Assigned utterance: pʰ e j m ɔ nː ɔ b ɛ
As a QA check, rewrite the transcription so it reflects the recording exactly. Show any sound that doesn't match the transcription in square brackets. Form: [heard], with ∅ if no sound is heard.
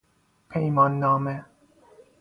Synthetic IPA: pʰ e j m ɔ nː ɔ [m] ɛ

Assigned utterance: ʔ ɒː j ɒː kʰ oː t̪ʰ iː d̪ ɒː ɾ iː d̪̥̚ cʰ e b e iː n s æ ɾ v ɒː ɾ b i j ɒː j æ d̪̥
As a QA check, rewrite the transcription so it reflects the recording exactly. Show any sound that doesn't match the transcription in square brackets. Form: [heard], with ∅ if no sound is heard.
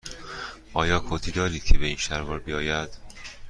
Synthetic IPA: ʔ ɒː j ɒː kʰ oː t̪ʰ iː d̪ ɒː ɾ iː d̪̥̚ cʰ e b e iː n [ʃ] æ ɾ v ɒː ɾ b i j ɒː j æ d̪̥

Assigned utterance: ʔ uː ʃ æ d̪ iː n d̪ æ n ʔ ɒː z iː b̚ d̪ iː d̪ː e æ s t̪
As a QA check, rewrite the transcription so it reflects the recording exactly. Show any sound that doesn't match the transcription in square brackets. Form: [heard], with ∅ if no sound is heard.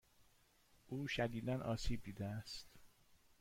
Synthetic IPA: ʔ uː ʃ æ d̪ iː [∅] d̪ æ n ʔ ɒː [s] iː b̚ d̪ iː [d̪] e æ s t̪

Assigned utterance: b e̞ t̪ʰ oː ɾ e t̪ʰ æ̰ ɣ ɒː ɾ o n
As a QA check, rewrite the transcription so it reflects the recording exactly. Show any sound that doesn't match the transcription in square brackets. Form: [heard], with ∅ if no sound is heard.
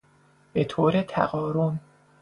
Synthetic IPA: b e̞ t̪ʰ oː ɾ e t̪ʰ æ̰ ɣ ɒː ɾ o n

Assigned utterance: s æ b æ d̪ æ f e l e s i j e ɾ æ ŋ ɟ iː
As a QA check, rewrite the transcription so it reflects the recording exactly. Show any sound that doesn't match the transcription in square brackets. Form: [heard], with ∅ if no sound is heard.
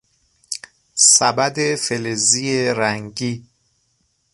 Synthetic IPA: s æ b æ d̪ [e] f e l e [z] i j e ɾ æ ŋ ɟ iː

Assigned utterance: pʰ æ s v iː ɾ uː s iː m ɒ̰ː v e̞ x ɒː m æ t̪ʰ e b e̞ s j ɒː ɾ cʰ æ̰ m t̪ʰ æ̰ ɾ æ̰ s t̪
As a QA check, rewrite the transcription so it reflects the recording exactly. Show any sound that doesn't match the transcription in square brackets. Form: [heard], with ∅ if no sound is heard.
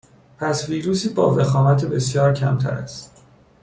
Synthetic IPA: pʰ æ s v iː ɾ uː s iː [b] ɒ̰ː v e̞ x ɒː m æ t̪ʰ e b e̞ s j ɒː ɾ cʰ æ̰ m t̪ʰ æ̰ ɾ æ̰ s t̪

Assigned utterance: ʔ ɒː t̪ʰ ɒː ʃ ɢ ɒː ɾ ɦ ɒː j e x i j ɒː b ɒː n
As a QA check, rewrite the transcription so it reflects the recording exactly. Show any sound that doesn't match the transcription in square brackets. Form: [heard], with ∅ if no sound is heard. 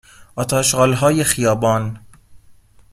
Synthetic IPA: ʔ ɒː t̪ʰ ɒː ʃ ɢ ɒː [l] ɦ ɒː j e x i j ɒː b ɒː n

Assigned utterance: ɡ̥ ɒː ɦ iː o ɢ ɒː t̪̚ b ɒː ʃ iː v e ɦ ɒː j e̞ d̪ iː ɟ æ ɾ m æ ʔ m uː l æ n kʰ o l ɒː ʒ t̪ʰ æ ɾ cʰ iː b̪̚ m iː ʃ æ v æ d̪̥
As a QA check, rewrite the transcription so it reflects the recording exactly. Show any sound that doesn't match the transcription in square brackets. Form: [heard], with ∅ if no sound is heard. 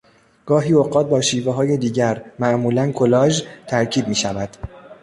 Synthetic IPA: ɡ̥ ɒː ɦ iː o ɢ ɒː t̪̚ b ɒː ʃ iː v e ɦ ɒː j e̞ d̪ iː ɟ æ ɾ m æ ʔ m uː l æ n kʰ o l ɒː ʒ t̪ʰ æ ɾ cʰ iː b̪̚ m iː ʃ æ v æ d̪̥

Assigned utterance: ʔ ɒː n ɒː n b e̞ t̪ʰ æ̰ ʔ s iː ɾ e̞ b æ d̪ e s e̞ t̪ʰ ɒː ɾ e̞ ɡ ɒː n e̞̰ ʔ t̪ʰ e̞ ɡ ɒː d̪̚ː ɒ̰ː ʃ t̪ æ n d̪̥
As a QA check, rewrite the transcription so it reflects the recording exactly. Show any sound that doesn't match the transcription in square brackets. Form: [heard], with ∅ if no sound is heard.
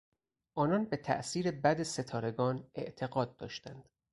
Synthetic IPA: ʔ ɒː n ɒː n b e̞ t̪ʰ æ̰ ʔ s iː ɾ e̞ b æ d̪ e s e̞ t̪ʰ ɒː ɾ e̞ ɡ ɒː n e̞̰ ʔ t̪ʰ e̞ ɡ ɒː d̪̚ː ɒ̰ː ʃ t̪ æ n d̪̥

